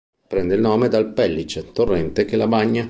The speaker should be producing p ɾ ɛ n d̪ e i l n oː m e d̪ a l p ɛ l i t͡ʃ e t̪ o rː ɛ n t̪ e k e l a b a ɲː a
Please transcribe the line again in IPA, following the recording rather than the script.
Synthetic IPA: p ɾ ɛ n d̪ e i l n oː m e d̪ a l p ɛ lː i t͡ʃ e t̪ o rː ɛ n t̪ e k e l a b a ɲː a